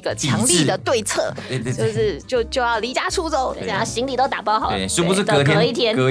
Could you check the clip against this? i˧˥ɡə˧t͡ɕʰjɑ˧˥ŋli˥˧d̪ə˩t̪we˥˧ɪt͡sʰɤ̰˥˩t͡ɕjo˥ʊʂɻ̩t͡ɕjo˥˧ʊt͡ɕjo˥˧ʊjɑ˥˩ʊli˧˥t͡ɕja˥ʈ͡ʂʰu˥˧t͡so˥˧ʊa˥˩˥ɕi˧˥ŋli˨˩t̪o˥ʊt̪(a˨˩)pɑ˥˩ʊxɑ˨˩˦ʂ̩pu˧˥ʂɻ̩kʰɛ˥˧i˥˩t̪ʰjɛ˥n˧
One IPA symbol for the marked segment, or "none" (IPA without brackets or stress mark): a˨˩